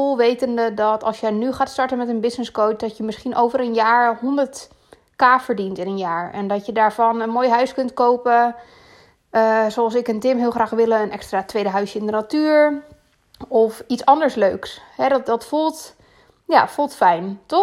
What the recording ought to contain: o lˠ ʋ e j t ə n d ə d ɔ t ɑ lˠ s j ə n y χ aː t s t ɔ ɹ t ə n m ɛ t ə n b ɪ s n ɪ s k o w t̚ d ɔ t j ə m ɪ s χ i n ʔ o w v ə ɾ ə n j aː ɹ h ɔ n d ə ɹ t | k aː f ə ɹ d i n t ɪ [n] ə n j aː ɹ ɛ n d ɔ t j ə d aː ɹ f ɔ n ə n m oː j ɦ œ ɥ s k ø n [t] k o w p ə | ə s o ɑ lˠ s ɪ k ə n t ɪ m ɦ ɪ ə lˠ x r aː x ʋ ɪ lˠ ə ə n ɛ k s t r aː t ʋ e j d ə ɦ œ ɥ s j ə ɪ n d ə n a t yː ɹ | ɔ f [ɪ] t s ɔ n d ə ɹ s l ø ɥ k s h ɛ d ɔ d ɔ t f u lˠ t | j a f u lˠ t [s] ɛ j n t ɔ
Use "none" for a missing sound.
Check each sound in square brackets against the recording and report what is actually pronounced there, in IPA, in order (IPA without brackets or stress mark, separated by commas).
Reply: n, t, i, f